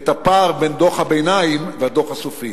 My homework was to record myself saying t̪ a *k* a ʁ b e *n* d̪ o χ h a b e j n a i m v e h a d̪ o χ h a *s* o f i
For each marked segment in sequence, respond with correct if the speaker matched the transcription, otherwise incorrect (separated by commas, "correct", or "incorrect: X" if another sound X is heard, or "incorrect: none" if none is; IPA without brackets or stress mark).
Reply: incorrect: p, correct, correct